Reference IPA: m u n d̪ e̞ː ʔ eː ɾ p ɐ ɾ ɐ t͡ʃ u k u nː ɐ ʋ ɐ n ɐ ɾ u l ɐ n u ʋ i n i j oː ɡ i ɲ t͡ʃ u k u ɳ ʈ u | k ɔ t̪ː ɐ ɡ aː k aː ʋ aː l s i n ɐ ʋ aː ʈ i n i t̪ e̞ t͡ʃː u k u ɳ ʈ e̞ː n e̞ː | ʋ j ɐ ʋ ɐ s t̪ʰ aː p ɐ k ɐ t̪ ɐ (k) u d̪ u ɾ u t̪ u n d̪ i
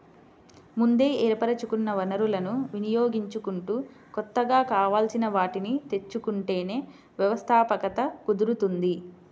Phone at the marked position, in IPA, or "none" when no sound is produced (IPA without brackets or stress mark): k